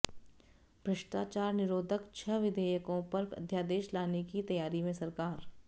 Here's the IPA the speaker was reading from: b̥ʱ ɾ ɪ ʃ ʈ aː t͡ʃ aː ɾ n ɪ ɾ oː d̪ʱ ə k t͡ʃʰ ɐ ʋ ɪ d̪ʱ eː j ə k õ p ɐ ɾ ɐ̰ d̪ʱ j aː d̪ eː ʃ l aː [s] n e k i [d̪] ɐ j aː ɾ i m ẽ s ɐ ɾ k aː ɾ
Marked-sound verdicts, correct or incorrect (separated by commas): incorrect, incorrect